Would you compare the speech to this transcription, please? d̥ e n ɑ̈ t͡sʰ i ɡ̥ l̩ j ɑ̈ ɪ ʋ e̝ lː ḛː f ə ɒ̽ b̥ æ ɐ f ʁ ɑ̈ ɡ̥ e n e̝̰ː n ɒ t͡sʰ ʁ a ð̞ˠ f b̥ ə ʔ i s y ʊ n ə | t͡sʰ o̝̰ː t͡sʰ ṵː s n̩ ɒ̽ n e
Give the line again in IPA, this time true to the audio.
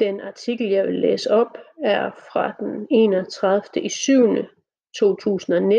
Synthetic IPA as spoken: d̥ e n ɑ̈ t͡sʰ i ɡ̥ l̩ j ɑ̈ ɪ ʋ e̝ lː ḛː s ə ɒ̽ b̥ æ ɐ f ʁ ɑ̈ d̥ e n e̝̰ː n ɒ t͡sʰ ʁ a ð̞ˠ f d̥ ə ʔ i s y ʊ n ə | t͡sʰ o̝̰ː t͡sʰ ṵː s n̩ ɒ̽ n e